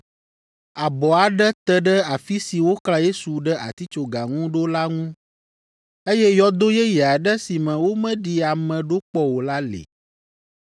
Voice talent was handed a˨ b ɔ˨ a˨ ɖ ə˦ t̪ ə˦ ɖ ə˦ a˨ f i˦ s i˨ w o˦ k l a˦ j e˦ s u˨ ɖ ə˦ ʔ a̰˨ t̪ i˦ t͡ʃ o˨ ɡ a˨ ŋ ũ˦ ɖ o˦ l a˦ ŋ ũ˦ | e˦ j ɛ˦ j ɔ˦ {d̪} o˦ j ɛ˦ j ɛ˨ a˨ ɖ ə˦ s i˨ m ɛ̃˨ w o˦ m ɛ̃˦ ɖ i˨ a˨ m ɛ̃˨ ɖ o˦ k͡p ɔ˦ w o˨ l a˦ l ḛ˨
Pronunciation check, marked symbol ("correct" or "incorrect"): correct